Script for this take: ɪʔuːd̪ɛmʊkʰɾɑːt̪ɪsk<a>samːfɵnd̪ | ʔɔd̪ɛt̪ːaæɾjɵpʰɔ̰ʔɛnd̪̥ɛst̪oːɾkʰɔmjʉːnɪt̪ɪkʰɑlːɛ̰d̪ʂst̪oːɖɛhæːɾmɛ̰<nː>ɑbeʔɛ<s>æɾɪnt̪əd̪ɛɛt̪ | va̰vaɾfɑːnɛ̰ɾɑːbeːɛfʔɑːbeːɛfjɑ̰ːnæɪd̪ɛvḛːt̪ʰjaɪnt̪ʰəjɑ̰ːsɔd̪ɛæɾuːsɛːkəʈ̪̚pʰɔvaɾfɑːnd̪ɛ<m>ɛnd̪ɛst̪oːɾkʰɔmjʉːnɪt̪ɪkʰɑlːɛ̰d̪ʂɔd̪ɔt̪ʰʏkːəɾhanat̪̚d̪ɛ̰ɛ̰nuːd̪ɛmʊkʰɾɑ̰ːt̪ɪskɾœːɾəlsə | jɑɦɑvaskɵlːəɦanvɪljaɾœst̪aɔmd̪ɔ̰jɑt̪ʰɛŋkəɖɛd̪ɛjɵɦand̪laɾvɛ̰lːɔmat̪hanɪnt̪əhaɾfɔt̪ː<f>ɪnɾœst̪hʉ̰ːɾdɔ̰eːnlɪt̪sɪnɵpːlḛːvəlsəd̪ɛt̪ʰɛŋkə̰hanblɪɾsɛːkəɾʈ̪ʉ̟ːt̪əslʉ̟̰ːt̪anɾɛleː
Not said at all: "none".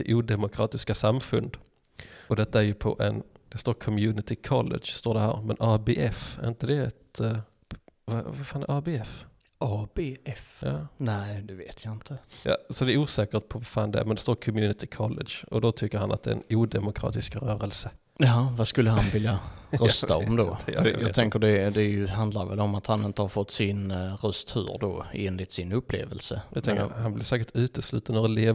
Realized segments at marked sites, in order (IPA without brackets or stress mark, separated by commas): a, n, f, m, s